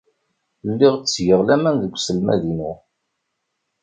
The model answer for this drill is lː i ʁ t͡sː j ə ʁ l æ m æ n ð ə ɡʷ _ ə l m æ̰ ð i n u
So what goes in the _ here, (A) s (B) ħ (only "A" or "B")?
A